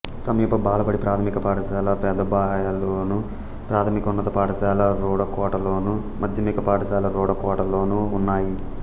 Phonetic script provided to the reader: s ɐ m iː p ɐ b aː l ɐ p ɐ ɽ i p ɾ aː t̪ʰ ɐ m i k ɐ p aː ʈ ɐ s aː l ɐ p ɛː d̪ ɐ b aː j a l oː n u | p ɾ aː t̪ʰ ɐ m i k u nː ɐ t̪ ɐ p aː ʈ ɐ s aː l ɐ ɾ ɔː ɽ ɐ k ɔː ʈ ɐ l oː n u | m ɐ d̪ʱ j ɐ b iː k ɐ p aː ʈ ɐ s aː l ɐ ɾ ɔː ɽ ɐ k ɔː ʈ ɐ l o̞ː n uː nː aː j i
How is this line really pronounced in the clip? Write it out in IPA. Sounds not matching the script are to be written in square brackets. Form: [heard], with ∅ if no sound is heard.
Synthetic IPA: s ɐ m iː p ɐ b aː l ɐ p ɐ ɽ i p ɾ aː t̪ʰ ɐ m i k ɐ p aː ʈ ɐ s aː l ɐ p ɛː d̪ ɐ b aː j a l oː n u | p ɾ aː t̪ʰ ɐ m i k u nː ɐ t̪ ɐ p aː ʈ ɐ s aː l ɐ ɾ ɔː ɽ ɐ k ɔː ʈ ɐ l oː n u | m ɐ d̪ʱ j ɐ [m] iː k ɐ p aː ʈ ɐ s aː l ɐ ɾ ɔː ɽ ɐ k ɔː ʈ ɐ l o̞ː n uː nː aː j i